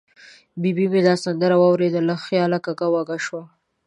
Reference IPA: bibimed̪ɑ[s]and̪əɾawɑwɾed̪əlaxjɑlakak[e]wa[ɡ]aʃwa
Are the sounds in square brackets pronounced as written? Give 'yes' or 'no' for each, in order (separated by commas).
yes, no, yes